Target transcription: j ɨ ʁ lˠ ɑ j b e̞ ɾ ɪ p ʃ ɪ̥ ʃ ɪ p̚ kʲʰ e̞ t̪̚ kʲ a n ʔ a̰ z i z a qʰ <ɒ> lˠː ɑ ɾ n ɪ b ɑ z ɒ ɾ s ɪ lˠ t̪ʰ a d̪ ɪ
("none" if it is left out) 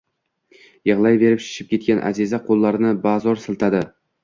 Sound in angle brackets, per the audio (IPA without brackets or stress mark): o